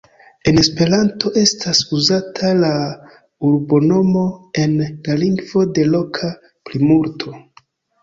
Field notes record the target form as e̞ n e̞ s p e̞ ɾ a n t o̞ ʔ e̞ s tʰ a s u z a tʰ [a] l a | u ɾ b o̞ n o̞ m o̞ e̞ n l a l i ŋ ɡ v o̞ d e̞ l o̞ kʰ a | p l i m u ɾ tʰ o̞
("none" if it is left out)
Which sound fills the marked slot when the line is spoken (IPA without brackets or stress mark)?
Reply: a